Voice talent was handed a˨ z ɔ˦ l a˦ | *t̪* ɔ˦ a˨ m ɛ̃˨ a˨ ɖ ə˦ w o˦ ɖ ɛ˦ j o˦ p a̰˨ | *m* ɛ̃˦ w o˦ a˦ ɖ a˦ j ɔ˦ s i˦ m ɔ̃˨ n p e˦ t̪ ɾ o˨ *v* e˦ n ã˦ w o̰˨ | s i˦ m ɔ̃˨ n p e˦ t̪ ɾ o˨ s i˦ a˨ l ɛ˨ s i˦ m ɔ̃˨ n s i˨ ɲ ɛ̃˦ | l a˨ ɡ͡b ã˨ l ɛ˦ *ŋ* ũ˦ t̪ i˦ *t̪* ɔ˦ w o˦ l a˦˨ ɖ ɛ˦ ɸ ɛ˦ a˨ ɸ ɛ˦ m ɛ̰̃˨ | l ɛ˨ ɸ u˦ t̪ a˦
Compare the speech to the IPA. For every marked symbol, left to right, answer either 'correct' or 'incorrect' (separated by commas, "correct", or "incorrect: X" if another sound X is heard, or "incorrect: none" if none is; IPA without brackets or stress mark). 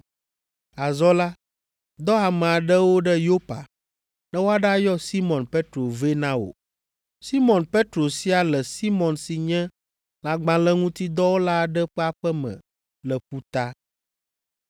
incorrect: d̪, incorrect: n, correct, correct, incorrect: d̪